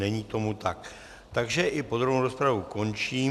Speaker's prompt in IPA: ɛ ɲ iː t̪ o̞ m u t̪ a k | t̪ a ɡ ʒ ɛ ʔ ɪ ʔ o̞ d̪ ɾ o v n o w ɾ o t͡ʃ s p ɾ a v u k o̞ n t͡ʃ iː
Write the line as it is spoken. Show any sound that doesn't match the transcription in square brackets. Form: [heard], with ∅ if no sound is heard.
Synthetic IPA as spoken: ɛ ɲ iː t̪ o̞ m u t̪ a k | t̪ a ɡ ʒ ɛ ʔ ɪ [p] o̞ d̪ ɾ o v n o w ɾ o [∅] s p ɾ a v u k o̞ n t͡ʃ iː

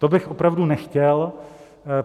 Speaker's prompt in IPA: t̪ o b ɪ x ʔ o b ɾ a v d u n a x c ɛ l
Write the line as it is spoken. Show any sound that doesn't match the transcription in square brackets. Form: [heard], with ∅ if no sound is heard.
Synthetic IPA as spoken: t̪ o b ɪ x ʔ o [p] ɾ a v d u n [ɛ] x c ɛ l

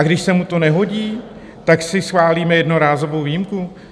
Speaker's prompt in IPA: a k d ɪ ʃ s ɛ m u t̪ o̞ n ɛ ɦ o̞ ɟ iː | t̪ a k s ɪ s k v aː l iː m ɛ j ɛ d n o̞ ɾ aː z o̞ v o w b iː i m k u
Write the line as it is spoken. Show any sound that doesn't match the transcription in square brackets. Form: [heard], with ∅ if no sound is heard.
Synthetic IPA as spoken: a [ɡ] d ɪ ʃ s ɛ m u t̪ o̞ n ɛ ɦ o̞ ɟ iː | t̪ a k s ɪ s [x] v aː l iː m ɛ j ɛ d n o̞ ɾ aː z o̞ v o w [v] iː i m k u

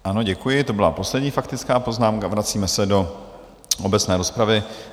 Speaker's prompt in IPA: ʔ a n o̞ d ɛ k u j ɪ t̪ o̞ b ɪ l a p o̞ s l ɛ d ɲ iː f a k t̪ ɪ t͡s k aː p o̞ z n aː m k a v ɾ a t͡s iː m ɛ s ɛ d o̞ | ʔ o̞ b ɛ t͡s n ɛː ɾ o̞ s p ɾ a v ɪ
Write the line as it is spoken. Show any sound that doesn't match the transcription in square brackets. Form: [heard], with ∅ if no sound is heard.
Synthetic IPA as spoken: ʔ a n o̞ [ɟ] ɛ k u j ɪ t̪ o̞ b ɪ l a p o̞ s l ɛ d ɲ iː f a k t̪ ɪ t͡s k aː p o̞ z n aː m k a v ɾ a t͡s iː m ɛ s ɛ d o̞ | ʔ o̞ b ɛ t͡s n ɛː ɾ o̞ s p ɾ a v ɪ

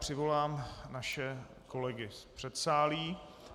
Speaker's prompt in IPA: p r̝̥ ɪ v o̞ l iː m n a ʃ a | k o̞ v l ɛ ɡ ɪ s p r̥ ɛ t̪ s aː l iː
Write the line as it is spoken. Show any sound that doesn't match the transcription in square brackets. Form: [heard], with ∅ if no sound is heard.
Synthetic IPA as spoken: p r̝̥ ɪ v o̞ l [aː] m n a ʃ [ɛ] | k o̞ [∅] l ɛ ɡ ɪ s p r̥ ɛ t̪ s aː l iː

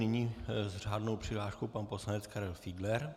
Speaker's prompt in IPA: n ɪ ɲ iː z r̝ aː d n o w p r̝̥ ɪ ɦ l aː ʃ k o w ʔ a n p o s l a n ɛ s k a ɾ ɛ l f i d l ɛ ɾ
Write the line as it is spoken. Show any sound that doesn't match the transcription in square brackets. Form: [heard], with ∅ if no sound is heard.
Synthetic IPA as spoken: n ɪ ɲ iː z r̝ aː d n o w p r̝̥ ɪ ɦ l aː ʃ k o w [p] a n p o s l a n ɛ [t͡s] k a ɾ ɛ l f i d l ɛ ɾ

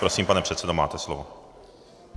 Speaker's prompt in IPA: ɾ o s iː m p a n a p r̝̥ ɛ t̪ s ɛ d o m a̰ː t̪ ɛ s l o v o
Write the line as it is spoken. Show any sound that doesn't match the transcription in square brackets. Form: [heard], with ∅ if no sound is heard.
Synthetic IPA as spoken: ɾ o s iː m p a n [ɛ] p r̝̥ ɛ t̪ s ɛ d o m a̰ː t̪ ɛ s l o v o

